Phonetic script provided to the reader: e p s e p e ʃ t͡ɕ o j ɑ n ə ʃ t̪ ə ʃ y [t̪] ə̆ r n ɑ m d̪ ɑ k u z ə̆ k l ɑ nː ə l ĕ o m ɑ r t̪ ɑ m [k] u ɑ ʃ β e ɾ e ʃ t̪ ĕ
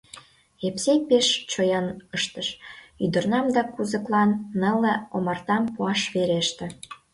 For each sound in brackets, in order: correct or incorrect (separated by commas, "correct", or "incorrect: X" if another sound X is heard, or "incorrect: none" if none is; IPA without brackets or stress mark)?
incorrect: d̪, incorrect: p